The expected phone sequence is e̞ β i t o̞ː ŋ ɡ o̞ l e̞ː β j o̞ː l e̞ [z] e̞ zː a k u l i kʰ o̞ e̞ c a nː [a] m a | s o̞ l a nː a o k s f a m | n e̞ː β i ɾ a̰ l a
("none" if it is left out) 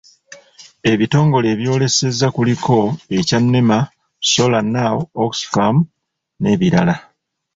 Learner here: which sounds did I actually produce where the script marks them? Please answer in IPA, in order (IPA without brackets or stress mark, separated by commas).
s, e